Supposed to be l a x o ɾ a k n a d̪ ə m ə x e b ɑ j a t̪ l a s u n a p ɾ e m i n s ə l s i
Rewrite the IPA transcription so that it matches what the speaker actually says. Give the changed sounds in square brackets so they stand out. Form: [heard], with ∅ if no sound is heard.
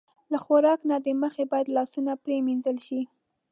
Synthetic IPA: l a x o ɾ [ɑ] k n a d̪ ə m ə x e b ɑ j a [d̪] l [ɑ] s u n a p ɾ e m i n [z] ə l [ʃ] i